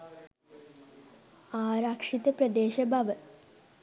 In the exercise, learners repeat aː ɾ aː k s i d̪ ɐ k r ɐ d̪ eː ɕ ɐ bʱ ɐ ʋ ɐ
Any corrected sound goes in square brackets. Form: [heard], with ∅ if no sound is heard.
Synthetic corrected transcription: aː ɾ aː k [ʂ] i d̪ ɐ [p] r ɐ d̪ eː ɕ ɐ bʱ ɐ ʋ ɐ

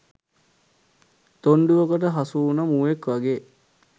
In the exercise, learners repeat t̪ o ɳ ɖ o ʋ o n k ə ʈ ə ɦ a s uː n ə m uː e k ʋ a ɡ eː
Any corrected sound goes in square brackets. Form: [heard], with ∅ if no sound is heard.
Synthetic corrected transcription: t̪ o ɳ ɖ [u] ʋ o [∅] k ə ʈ ə ɦ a s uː n ə m uː e k ʋ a ɡ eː

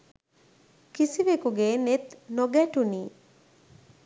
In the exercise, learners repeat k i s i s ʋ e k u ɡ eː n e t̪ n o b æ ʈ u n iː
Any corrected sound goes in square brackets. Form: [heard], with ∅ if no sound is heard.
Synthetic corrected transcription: k i s i [∅] ʋ e k u ɡ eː n e t̪ n o [ɡ] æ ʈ u n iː

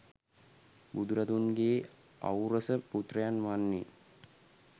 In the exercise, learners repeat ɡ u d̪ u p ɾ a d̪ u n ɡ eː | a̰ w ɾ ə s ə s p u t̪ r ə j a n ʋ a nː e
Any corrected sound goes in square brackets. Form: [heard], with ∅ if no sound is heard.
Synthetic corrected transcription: [b] u d̪ u [∅] ɾ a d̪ u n ɡ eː | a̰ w ɾ ə s ə [∅] p u t̪ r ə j a n ʋ a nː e

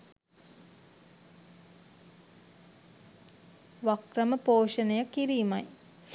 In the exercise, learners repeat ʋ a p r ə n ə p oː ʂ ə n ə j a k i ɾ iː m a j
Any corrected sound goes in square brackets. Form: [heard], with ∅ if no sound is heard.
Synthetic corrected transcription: ʋ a [k] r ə [m] ə p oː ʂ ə n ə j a k i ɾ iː m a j

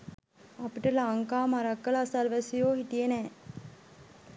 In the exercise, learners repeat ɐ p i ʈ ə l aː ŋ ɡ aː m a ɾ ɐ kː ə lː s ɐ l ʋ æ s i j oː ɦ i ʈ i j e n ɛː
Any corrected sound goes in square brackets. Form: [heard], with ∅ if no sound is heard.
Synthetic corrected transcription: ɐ p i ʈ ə l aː ŋ [k] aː m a ɾ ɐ kː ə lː s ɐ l ʋ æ s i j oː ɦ i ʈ i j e n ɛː

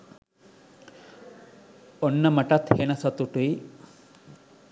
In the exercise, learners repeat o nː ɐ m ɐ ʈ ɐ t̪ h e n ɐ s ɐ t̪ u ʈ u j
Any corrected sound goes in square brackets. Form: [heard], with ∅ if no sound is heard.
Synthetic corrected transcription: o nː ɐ m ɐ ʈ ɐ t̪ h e n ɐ s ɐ t̪ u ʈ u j

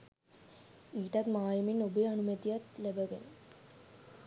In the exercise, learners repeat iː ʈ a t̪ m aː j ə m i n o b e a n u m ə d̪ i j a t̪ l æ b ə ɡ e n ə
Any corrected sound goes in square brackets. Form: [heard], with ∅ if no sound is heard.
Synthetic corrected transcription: iː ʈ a t̪ m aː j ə m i n o b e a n u m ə [t̪] i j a t̪ l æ b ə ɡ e n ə

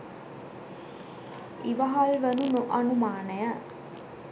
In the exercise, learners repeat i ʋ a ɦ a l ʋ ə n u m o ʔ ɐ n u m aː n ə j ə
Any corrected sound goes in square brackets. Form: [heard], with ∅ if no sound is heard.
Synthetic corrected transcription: i ʋ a ɦ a l ʋ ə n u [n] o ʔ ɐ n u m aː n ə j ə

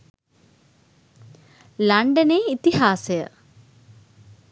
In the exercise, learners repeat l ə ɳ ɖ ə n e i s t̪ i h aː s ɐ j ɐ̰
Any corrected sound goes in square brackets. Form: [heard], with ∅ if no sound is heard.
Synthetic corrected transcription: l [ɐ] ɳ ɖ [ɐ] n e i [∅] t̪ i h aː s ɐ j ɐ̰

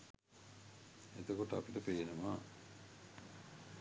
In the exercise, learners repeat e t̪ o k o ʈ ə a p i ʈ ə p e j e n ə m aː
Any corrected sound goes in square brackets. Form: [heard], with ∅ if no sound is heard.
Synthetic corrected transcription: e t̪ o k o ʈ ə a p i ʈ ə p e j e n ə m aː

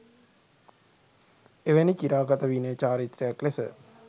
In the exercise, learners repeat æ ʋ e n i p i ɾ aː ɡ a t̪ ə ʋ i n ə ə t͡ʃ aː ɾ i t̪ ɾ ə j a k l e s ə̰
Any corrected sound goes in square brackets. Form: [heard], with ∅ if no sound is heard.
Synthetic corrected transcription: [e] ʋ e n i [k] i ɾ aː ɡ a t̪ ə ʋ i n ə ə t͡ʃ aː ɾ i t̪ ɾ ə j a k l e s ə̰

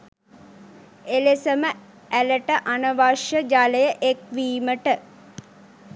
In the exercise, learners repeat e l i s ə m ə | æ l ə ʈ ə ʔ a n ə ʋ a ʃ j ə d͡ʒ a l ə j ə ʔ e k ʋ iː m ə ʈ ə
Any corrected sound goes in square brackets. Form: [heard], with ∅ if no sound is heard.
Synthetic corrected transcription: e l [e] s ə m ə | æ l ə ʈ ə ʔ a n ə ʋ a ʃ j ə d͡ʒ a l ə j ə ʔ e k ʋ iː m ə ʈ ə

